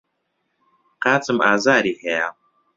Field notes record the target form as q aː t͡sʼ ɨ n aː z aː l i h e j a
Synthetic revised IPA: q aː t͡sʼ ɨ m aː z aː ɾ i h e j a